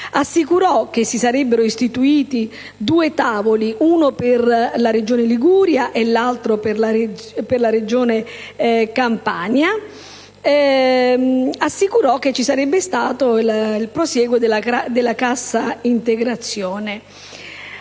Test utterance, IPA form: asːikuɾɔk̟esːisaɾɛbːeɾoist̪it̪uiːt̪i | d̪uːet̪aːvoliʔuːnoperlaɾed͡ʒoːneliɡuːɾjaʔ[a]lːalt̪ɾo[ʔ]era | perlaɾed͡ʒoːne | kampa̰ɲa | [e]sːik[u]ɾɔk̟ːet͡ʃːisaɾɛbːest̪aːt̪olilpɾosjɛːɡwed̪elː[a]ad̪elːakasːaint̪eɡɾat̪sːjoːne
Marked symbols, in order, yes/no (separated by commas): no, no, no, yes, yes